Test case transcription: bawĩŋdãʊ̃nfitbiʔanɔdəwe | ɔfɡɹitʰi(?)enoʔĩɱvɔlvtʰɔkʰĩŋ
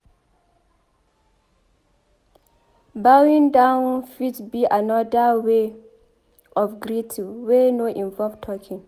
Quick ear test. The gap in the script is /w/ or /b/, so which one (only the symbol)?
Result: w